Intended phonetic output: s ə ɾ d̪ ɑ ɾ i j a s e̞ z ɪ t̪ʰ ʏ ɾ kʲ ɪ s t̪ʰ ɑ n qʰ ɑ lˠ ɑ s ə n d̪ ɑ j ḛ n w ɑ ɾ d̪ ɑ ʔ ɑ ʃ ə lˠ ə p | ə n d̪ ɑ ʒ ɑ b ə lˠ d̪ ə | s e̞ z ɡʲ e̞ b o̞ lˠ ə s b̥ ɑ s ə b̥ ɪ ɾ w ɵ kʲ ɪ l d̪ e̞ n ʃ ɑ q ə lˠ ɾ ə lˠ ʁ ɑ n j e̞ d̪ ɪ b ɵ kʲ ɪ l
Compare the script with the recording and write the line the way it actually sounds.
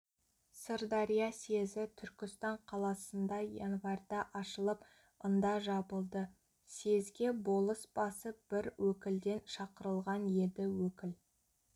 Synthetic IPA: s ə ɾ d̪ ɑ ɾ i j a s e̞ z ɪ t̪ʰ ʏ ɾ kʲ ɪ s t̪ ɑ ɴ qʰ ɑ lˠ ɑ s ə n d̪ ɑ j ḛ n v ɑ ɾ d̪ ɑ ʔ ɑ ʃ ə lˠ ə p | ə n d̪ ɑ ʒ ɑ b ə lˠ d̪ ə | s e̞ z ɡʲ e̞ b o̞ lˠ ə s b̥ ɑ s ə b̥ ɪ ɾ w ɵ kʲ ɪ l d̪ e̞ n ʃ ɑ q ə ɾ ə lˠ ʁ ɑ n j e̞ d̪ ɪ w ɵ kʲ ɪ l